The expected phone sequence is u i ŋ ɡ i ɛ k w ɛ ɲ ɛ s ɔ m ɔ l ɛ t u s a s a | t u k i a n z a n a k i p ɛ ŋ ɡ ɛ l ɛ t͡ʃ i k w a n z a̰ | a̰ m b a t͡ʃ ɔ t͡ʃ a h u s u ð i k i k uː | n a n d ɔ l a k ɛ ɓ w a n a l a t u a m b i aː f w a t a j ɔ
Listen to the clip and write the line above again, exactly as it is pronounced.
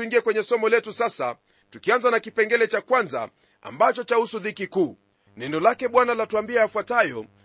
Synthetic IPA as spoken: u i ŋ ɡ i ɛ k w ɛ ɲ ɛ s ɔ m ɔ l ɛ t u s a s a | t u k i a n z a n a k i p ɛ ŋ ɡ ɛ l ɛ t͡ʃ a k w a n z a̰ | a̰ m b a t͡ʃ ɔ t͡ʃ a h u s u ð i k i k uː | n ɛ n d ɔ l a k ɛ ɓ w a n a l a t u a m b i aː f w a t a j ɔ